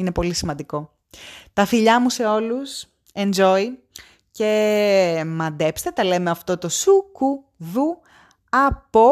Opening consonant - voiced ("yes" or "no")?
yes